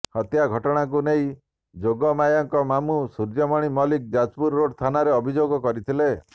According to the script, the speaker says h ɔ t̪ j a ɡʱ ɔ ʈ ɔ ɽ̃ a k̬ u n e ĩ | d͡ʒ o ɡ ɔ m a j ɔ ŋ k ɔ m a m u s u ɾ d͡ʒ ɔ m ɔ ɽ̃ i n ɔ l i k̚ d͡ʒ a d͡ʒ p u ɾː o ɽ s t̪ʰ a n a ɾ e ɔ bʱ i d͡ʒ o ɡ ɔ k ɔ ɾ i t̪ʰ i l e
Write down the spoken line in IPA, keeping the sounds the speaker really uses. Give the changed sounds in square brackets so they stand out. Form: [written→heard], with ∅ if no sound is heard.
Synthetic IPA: h ɔ t̪ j a ɡʱ ɔ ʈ ɔ ɽ̃ a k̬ u n e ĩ | d͡ʒ o ɡ ɔ m a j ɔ ŋ k ɔ m a m u s u ɾ d͡ʒ ɔ m ɔ ɽ̃ i [n→m] ɔ l i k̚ d͡ʒ a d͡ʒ p u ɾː o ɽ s t̪ʰ a n a ɾ e ɔ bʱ i d͡ʒ o ɡ ɔ k ɔ ɾ i t̪ʰ i l e